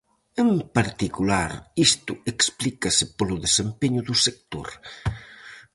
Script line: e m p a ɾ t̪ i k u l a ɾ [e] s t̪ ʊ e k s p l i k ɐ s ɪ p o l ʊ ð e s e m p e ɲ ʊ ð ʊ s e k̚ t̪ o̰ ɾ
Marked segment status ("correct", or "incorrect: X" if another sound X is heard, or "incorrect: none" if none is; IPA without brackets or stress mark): incorrect: i